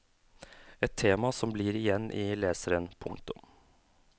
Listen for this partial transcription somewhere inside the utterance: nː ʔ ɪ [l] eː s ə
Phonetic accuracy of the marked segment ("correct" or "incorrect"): correct